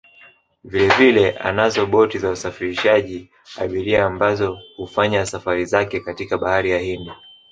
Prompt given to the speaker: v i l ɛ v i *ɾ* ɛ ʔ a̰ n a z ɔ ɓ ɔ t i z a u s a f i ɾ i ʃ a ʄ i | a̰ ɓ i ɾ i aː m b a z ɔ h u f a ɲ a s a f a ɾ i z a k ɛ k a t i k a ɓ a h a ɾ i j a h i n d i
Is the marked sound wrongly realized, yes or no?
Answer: yes